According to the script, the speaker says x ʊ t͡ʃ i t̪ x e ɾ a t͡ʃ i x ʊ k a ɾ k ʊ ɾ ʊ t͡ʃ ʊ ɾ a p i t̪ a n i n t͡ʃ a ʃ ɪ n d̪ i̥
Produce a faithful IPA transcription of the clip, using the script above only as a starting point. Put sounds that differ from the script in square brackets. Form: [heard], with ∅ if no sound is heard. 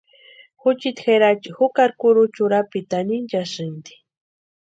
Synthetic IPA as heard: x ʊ t͡ʃ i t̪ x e ɾ a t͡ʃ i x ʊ k a ɾ k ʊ ɾ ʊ t͡ʃ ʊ ɾ a p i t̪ a n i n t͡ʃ a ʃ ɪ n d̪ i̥